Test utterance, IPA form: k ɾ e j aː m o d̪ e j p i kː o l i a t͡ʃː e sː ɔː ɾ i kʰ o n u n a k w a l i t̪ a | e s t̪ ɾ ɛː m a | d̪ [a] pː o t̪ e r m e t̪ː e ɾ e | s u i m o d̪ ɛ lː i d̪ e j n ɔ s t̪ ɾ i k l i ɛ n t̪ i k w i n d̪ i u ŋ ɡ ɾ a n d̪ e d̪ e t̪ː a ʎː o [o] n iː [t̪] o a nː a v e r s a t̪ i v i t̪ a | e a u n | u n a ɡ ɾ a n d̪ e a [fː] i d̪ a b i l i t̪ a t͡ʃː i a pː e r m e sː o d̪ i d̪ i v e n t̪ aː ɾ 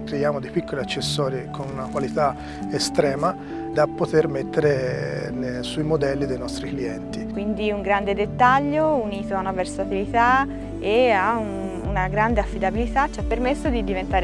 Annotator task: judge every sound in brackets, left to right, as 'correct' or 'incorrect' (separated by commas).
correct, incorrect, correct, correct